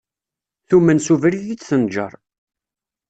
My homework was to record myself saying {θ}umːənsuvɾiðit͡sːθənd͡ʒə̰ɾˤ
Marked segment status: correct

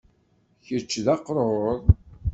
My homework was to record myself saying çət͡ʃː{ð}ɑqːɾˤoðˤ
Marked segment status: correct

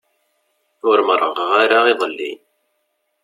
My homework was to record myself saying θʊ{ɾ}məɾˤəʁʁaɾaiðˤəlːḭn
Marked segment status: correct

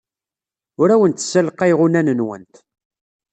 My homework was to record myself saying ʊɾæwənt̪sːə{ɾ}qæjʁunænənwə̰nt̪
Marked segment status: incorrect: l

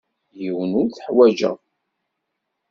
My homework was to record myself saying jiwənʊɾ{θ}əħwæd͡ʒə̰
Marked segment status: correct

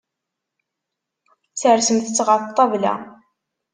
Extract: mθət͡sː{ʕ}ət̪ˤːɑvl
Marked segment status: incorrect: ʁ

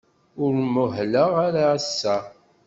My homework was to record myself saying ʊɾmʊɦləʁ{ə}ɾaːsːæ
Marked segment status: incorrect: a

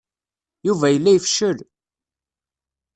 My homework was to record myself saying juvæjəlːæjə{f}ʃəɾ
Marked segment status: correct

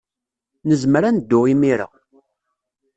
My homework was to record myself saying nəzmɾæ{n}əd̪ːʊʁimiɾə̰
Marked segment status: correct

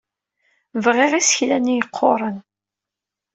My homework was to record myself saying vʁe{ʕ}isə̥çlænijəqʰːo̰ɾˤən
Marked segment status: incorrect: ʁ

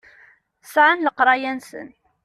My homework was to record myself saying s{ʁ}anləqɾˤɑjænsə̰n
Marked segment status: incorrect: ʕ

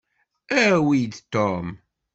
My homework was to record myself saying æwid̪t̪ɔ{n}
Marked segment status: incorrect: m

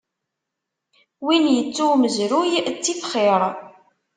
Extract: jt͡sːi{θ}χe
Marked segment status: correct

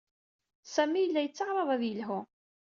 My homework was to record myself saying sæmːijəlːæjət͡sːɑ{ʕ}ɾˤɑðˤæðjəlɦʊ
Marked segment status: incorrect: ʁ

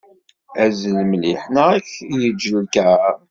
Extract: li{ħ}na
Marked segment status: correct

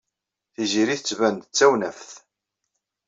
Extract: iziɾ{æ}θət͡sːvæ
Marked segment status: incorrect: i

